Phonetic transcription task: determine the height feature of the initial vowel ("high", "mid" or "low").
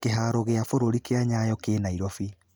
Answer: mid